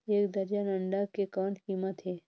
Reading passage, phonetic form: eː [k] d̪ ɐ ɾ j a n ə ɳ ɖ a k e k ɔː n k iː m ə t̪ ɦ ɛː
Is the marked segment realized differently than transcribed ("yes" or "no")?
no